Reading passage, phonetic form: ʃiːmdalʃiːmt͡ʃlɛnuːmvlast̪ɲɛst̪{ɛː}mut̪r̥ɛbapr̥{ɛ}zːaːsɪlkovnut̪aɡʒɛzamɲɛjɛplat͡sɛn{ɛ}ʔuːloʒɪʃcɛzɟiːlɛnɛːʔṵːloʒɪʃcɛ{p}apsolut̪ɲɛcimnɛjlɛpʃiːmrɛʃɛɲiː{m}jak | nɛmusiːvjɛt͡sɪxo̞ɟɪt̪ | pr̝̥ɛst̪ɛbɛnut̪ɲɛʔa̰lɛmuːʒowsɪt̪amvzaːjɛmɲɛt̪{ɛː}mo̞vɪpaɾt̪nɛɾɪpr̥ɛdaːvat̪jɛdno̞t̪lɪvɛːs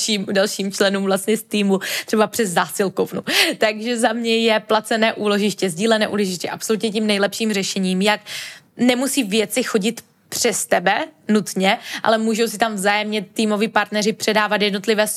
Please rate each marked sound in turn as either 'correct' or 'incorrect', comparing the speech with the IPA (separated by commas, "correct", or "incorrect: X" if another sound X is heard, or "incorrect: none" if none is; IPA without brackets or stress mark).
incorrect: iː, correct, incorrect: ɛː, incorrect: ʔ, correct, incorrect: iː